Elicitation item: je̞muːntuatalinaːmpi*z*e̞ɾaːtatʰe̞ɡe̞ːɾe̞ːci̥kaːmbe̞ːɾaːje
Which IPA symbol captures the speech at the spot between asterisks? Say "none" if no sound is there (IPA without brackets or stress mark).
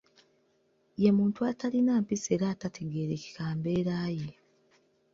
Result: s